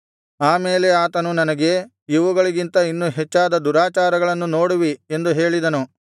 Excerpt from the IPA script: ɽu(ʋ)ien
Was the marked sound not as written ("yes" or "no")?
no